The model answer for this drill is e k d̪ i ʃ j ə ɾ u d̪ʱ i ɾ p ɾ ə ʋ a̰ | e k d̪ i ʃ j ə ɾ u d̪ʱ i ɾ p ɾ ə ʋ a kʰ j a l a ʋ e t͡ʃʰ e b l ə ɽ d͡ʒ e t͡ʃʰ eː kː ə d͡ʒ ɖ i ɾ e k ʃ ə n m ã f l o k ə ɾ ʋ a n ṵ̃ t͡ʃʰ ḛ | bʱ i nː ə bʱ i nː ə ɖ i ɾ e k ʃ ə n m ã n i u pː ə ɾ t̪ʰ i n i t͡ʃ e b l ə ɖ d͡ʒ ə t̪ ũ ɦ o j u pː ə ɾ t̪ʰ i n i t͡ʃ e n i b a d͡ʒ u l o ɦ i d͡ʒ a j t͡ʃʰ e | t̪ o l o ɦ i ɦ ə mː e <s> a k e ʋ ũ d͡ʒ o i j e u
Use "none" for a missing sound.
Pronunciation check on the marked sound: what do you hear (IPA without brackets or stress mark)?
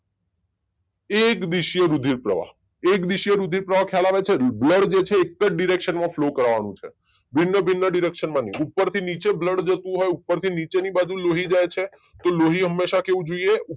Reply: ʃ